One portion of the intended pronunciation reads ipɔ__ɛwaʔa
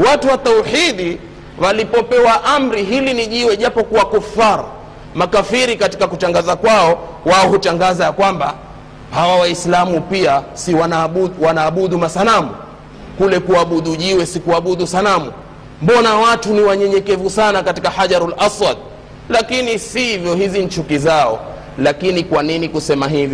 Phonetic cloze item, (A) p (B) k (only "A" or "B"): A